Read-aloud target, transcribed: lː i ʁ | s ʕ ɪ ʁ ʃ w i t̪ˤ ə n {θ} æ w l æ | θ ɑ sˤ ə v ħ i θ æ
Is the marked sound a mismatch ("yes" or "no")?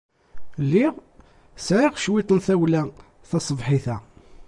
no